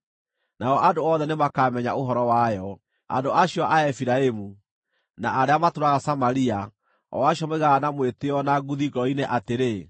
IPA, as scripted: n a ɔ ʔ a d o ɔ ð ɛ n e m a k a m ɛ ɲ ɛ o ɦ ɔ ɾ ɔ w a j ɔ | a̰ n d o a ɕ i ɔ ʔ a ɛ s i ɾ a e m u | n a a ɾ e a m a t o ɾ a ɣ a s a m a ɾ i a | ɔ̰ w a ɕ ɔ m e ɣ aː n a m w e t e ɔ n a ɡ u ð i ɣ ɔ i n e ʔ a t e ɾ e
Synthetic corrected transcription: n a ɔ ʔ a d o ɔ ð ɛ n e m a k a m ɛ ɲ a o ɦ ɔ ɾ ɔ w a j ɔ | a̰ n d o a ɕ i ɔ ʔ a ɛ f i ɾ a e m u | n a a ɾ e a m a t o ɾ a ɣ a s a m a ɾ i a | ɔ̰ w a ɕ ɔ m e ɣ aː n a m w e t e ɔ n a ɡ u ð i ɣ ɔ i n e ʔ a t e ɾ e